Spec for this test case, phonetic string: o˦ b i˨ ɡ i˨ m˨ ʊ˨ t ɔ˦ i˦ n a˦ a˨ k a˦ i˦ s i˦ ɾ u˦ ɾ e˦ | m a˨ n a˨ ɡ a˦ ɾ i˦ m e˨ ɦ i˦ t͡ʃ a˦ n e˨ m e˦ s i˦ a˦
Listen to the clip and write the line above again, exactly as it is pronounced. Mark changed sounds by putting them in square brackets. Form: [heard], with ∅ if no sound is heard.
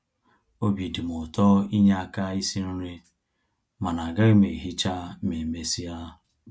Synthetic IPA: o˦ b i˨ [d] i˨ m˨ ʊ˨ t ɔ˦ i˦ [ɲ] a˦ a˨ k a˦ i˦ s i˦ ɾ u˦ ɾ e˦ | m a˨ n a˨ ɡ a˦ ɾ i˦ m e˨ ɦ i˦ t͡ʃ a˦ [m] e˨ m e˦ s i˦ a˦